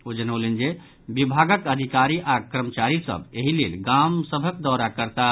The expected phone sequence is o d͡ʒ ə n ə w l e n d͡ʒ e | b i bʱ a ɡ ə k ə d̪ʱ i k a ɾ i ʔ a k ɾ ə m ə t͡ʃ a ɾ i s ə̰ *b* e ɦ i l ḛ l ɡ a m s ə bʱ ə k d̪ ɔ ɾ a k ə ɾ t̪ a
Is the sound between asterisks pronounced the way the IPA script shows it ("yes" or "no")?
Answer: yes